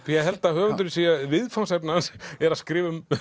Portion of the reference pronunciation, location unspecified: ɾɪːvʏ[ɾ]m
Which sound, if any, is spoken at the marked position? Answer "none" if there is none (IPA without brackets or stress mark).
none